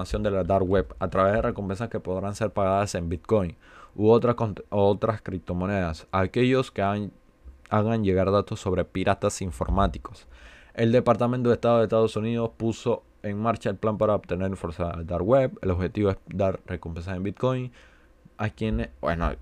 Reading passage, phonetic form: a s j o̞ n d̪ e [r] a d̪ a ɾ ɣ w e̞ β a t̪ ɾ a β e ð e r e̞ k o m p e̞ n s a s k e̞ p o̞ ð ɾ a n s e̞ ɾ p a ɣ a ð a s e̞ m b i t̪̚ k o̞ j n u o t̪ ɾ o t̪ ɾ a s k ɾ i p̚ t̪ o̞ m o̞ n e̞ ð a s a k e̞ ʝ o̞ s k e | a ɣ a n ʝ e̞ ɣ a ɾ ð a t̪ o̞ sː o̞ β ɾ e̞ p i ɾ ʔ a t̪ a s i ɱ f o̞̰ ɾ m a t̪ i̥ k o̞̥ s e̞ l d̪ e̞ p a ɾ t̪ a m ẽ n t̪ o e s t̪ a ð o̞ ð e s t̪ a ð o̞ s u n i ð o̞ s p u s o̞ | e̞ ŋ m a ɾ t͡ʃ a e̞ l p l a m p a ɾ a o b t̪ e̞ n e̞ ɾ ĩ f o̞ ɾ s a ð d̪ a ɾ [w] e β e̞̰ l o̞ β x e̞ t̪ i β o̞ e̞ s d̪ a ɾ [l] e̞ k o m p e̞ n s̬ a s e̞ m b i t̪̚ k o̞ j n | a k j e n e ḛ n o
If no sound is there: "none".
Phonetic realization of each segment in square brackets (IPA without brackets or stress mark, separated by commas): l, w, r